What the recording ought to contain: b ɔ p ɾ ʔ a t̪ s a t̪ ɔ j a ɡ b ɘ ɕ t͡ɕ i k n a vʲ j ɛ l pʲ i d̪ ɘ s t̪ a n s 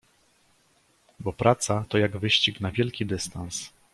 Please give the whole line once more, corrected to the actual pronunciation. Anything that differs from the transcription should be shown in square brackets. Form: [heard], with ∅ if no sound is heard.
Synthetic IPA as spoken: b ɔ p ɾ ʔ a t̪ s a t̪ ɔ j a ɡ [v] ɘ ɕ t͡ɕ i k n a vʲ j ɛ l [kʲ] i d̪ ɘ s t̪ a n s